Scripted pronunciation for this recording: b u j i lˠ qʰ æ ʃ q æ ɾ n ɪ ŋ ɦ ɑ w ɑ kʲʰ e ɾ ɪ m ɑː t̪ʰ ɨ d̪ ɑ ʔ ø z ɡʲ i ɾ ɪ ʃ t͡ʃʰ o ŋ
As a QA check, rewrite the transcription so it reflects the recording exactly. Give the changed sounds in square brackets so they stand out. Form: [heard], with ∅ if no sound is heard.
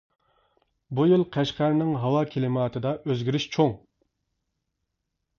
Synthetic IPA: b u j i lˠ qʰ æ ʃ q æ ɾ n ɪ ŋ ɦ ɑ w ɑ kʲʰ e [l] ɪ m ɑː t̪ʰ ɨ d̪ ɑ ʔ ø z ɡʲ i ɾ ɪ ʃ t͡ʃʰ o ŋ